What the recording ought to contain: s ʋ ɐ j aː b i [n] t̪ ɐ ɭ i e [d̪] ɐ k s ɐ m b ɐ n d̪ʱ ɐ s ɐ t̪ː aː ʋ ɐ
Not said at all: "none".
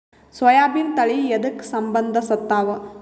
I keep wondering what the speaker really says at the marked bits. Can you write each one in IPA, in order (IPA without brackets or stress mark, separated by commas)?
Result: n, d̪